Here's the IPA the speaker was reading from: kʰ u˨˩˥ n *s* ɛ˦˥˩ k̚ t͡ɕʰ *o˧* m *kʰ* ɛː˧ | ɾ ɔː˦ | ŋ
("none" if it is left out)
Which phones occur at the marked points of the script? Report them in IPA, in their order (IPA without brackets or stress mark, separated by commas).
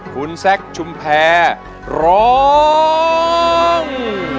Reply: s, u˧, pʰ